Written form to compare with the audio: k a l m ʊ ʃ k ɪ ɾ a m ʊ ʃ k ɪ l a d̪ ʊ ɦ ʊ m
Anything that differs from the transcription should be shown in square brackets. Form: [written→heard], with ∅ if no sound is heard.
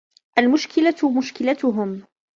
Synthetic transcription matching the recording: [k→ʔ] a l m ʊ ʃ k ɪ [ɾ→l] a m ʊ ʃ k ɪ l a [d̪→t̪] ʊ ɦ ʊ m